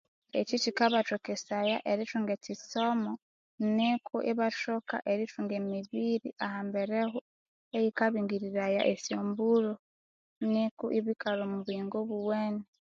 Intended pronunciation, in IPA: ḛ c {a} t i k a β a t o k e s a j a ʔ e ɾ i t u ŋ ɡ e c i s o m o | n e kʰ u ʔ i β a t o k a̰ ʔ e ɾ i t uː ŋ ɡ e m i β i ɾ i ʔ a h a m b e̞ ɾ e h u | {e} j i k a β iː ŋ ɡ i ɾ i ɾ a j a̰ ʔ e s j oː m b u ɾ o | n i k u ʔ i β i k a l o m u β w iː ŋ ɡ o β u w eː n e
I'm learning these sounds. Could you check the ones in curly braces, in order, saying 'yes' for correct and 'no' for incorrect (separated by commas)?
no, yes